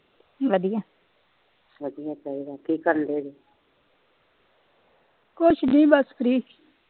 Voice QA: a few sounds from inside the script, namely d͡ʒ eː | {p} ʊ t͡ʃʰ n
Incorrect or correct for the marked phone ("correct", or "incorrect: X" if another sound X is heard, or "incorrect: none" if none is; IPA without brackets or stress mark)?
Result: incorrect: k